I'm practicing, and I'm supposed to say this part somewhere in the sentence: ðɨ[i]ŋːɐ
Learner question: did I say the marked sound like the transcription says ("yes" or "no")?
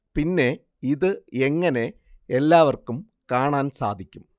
no